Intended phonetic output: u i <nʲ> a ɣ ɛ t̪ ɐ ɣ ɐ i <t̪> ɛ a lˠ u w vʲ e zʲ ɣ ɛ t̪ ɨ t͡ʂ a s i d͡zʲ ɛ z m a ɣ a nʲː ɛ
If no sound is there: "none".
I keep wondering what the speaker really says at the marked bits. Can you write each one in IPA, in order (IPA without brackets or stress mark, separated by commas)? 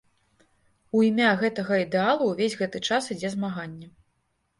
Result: mʲ, d̪